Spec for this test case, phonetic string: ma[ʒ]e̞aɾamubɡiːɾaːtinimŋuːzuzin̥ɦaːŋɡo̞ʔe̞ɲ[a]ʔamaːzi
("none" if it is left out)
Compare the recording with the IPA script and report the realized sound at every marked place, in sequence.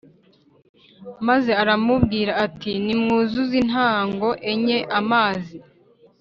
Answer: z, e

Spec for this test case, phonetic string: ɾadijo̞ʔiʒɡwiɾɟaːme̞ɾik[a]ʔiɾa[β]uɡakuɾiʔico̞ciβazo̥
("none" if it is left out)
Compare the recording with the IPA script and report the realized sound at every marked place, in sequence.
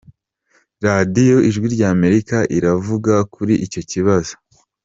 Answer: a, v

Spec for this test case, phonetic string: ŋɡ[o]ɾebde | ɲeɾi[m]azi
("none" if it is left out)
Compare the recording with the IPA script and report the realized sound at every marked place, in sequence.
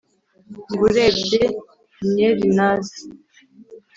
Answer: u, n

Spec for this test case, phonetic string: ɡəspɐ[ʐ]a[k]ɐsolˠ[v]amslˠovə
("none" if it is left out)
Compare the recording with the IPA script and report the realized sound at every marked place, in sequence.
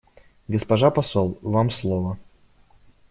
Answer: ʐ, p, v

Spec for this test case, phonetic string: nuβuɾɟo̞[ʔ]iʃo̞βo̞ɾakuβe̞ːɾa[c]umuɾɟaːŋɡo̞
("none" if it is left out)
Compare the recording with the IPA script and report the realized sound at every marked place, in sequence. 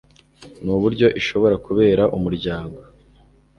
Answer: ʔ, ʔ

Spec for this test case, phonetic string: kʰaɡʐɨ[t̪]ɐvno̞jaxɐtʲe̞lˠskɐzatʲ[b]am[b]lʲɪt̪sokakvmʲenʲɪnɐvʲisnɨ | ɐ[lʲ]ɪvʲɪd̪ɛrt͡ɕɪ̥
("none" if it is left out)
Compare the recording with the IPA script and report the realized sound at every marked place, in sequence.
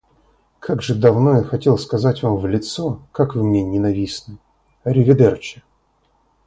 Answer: d̪, v, v, ɾʲ

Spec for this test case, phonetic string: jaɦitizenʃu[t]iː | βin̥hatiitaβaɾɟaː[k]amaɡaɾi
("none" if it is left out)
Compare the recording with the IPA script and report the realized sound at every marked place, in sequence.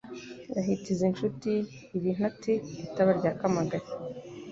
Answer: t, k

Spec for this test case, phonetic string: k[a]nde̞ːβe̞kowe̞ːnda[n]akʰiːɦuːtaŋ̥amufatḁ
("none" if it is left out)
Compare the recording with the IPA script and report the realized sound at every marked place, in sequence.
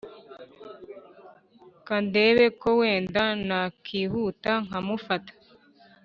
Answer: a, n

